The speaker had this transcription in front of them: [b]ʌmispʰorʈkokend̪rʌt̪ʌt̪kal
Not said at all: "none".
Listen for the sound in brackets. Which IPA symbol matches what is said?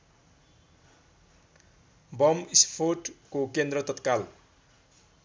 b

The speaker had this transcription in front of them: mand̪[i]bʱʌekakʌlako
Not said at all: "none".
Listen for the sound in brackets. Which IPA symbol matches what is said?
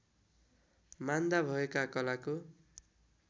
a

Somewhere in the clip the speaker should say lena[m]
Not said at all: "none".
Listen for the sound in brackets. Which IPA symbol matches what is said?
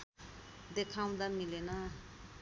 none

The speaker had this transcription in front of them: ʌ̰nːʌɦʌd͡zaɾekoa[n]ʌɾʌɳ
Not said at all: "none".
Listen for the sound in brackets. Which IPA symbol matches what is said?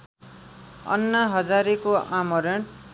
m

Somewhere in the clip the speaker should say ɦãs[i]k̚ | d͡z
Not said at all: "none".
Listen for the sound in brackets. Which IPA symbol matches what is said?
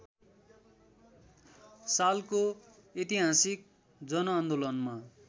i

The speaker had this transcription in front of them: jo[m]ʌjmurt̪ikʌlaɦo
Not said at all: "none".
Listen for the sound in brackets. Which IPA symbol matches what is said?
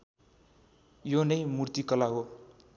n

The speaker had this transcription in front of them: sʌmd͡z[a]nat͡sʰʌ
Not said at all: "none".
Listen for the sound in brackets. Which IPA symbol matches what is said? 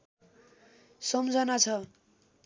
ʌ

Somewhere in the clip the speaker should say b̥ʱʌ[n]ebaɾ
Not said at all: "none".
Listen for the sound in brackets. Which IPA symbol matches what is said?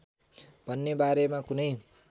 nː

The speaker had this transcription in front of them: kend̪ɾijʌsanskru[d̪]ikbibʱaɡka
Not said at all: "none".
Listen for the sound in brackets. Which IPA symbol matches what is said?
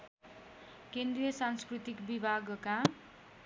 t̪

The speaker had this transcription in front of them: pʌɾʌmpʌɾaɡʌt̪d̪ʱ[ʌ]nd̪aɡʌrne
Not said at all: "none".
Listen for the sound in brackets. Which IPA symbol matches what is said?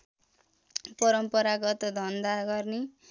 ʌ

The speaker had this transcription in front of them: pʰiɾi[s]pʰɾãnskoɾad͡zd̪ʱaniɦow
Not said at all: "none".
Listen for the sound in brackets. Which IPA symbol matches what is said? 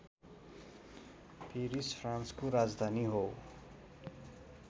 s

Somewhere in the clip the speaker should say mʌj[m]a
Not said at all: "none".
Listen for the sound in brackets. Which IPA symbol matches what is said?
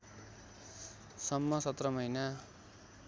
n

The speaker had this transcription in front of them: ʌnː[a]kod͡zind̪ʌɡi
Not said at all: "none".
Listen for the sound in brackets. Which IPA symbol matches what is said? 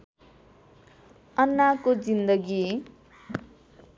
a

